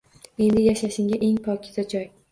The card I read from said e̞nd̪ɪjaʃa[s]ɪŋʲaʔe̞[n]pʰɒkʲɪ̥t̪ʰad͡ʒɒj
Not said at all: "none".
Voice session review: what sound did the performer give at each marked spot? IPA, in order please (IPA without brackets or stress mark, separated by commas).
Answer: ʃ, ŋ